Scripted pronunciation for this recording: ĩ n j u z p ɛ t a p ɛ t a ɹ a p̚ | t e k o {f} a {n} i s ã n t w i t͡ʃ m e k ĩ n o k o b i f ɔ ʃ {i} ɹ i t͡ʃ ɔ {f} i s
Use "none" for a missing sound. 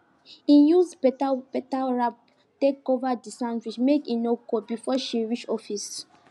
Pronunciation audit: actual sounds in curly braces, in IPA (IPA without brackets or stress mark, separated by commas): v, d, i, f